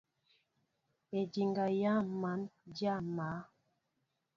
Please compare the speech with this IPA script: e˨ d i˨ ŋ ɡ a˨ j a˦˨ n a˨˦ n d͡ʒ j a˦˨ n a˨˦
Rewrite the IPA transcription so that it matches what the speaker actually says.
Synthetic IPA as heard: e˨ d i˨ ŋ ɡ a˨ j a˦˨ m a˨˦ n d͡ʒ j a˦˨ m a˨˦